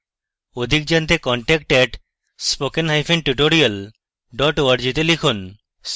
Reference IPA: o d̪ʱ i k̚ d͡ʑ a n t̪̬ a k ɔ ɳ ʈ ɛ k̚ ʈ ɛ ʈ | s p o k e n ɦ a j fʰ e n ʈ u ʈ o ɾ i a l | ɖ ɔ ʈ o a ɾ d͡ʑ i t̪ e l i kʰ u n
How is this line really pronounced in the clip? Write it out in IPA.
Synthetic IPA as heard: o d̪ʱ i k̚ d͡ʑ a n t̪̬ e k ɔ ɳ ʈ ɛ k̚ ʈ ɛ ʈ | s p o k e n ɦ a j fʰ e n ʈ u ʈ o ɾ i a l | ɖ ɔ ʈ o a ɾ d͡ʑ i t̪ e l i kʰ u n